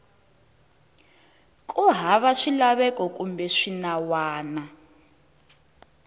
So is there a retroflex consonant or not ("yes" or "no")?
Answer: yes